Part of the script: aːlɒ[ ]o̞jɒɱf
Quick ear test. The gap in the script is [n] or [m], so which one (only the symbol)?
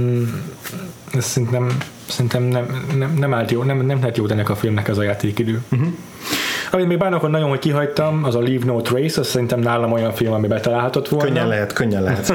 m